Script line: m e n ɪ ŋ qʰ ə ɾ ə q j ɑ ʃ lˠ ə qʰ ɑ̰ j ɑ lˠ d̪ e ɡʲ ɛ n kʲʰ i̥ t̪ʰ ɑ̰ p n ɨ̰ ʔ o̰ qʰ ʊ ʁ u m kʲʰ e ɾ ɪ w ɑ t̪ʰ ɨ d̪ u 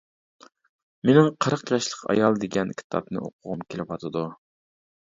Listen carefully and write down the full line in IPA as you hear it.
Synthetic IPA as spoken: m e n ɪ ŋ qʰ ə ɾ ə q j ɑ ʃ lˠ ə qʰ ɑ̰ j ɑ lˠ d̪ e ɡʲ ɛ n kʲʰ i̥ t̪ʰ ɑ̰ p n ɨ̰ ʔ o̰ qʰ ʊ ʁ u m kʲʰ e l ɪ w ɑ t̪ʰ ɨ d̪ u